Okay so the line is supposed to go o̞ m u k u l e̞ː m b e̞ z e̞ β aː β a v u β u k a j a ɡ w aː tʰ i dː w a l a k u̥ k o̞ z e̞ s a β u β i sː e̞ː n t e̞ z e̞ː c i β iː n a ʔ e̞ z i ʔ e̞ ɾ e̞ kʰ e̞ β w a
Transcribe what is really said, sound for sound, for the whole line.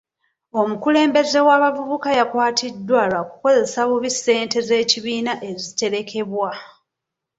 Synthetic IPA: o̞ m u k u l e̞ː m b e̞ z e̞ w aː β a v u β u k a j a k w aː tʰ i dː w a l a k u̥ k o̞ z e̞ s a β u β i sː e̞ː n t e̞ z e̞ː c i β iː n a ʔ e̞ z i t e̞ ɾ e̞ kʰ e̞ β w a